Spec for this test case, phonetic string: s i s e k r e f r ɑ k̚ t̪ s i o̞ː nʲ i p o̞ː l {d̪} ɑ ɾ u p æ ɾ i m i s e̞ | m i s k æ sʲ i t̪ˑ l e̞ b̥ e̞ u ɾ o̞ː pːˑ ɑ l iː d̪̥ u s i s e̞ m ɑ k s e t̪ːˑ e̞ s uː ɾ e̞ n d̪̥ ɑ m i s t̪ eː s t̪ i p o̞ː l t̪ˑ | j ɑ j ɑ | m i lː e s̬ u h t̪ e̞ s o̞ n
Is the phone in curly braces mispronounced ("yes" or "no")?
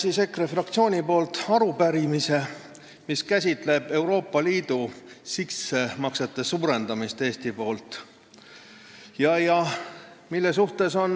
yes